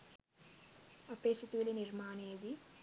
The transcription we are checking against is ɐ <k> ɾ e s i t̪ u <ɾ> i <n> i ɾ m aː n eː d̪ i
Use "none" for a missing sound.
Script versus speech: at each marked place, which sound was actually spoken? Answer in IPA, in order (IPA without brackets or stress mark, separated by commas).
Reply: p, l, n